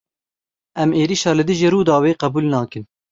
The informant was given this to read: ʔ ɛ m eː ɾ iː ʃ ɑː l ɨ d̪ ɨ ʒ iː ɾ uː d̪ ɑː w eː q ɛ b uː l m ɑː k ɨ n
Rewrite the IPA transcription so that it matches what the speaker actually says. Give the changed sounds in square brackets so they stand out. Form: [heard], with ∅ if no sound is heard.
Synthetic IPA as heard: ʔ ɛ m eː ɾ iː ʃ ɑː l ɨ d̪ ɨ ʒ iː ɾ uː d̪ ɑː w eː q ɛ b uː l [n] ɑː k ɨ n